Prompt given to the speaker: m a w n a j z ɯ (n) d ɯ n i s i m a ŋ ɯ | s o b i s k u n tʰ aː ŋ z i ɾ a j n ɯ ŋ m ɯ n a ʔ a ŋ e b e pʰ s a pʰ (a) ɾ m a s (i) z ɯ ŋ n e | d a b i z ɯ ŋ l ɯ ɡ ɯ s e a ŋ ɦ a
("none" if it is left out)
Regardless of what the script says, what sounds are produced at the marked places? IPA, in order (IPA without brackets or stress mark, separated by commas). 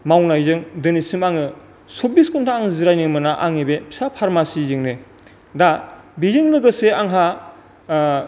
ŋ, a, i